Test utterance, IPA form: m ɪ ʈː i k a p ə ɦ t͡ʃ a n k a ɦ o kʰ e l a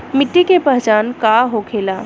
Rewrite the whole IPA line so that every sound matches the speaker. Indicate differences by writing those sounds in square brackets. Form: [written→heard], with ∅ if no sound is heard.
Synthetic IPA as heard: m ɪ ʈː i k [a→e] p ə ɦ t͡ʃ a n k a ɦ o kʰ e l a